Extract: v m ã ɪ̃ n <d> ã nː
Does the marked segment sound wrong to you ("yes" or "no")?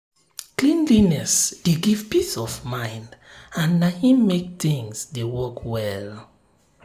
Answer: no